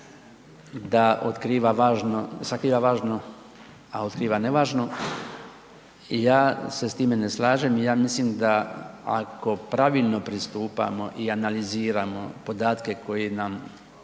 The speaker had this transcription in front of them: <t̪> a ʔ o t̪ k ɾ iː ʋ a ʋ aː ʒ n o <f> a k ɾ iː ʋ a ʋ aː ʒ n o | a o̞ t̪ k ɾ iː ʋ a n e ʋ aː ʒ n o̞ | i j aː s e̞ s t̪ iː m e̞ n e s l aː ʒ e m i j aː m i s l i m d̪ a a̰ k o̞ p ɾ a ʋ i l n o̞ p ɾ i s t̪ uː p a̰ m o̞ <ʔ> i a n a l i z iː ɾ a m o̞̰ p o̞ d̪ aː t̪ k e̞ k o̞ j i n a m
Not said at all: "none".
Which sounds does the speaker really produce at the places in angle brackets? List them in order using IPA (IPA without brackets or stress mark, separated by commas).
d̪, s, ʔ